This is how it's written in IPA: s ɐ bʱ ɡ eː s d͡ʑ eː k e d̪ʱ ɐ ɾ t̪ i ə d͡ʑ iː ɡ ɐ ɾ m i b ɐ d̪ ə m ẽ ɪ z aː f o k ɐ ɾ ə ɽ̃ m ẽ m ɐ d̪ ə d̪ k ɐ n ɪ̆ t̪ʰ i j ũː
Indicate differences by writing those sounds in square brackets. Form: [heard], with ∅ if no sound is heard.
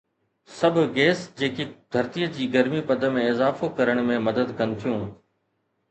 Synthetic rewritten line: s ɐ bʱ ɡ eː s d͡ʑ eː k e d̪ʱ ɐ ɾ t̪ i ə d͡ʑ iː ɡ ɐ ɾ m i [p] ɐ d̪ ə m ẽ ɪ z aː f o k ɐ ɾ ə ɽ̃ m ẽ m ɐ d̪ ə d̪ k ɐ n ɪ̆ t̪ʰ i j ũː